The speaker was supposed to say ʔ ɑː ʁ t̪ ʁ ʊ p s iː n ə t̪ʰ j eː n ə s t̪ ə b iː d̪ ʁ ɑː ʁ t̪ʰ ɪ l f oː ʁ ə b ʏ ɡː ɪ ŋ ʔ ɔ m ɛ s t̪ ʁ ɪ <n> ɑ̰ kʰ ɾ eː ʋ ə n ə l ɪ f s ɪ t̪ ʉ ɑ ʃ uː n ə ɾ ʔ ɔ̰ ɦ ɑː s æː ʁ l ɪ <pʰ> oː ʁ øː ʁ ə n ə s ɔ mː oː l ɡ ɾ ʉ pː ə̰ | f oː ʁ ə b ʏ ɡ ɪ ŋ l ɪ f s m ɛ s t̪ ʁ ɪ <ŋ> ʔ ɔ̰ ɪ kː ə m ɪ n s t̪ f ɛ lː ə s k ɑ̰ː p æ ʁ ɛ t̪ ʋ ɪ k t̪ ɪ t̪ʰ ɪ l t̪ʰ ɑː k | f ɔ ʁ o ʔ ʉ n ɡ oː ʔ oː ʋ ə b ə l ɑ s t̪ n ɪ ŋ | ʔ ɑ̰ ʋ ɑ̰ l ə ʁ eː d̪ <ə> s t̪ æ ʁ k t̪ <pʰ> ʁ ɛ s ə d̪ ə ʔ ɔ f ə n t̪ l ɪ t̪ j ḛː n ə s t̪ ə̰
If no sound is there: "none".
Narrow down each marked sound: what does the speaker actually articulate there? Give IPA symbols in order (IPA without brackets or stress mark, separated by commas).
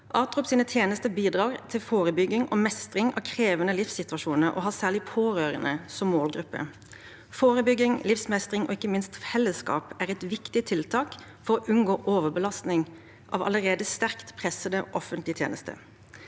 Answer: ŋ, pʰ, ŋ, ə, pʰ